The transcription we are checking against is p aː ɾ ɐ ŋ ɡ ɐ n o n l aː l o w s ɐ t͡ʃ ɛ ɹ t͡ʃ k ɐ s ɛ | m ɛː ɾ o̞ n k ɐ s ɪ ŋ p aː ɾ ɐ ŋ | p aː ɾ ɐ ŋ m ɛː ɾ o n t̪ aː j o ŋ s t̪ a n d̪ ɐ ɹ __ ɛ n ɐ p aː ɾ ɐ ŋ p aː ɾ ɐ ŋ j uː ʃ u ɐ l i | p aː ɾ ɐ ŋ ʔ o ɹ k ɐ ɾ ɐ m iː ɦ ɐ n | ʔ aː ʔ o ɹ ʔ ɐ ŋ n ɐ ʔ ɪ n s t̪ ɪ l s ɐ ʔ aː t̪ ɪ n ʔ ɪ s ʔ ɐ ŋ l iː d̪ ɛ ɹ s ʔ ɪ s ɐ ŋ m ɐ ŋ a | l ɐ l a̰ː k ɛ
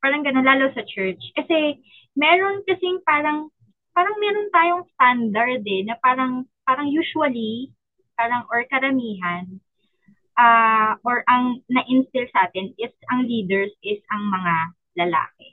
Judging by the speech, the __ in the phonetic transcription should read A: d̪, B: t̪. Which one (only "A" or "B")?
A